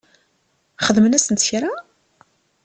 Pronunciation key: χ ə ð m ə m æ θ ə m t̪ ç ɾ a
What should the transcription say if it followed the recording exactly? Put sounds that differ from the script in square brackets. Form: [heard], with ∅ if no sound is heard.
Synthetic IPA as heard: χ ə ð m ə [n] æ [s] ə [n] t̪ ç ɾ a